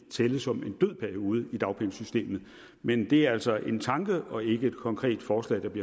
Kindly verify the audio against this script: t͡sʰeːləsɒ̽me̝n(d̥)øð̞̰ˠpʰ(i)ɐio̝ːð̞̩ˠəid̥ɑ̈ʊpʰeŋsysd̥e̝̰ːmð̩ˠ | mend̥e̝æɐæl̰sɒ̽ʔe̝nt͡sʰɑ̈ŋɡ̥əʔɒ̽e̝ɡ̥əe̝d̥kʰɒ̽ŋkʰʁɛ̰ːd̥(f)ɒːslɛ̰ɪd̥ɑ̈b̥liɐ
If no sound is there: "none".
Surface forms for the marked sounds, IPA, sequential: d̥, æ, f

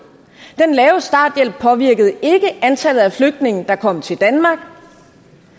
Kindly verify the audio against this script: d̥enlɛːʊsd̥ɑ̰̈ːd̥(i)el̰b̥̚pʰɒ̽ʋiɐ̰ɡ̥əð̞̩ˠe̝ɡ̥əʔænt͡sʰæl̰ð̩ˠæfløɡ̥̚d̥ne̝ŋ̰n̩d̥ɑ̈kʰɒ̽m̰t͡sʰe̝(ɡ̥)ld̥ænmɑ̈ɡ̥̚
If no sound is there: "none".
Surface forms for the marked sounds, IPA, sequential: j, none

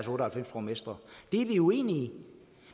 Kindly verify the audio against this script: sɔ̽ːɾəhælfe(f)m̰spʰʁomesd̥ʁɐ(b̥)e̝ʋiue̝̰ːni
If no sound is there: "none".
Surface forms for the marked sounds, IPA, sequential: none, d̥

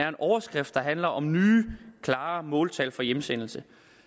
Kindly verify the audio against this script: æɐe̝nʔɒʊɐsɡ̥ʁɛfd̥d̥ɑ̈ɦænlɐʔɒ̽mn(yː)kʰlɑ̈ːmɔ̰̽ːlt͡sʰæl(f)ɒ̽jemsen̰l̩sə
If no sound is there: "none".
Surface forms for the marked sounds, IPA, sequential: yː, f

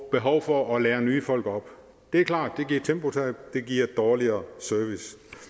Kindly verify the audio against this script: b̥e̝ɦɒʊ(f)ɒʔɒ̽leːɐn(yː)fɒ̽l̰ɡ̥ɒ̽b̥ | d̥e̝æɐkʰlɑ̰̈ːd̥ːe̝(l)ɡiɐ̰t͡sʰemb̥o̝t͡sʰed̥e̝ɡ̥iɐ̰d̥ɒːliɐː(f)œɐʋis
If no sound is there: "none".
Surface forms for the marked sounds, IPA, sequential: f, yː, none, s

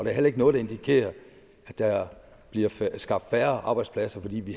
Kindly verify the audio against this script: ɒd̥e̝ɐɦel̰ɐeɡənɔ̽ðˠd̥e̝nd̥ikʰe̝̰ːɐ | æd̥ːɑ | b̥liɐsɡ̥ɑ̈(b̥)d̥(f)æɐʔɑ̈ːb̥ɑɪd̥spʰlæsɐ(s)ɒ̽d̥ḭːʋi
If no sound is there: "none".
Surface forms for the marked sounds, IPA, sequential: b̥, f, f

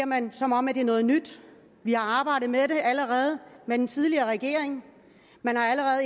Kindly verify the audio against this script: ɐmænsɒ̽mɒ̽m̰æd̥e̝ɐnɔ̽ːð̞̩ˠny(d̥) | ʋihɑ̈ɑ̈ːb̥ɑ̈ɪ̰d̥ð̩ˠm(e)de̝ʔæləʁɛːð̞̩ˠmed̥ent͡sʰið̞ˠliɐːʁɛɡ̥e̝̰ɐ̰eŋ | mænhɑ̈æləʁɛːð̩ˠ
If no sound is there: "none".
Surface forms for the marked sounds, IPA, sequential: d̥, e

